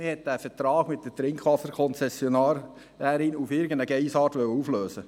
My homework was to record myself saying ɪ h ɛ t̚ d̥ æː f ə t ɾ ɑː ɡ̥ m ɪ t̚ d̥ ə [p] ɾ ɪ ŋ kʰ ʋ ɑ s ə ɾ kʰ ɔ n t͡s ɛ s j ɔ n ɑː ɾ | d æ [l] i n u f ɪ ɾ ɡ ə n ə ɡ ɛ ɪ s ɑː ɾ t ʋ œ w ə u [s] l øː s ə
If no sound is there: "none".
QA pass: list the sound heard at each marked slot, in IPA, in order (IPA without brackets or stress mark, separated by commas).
t, ɾ, f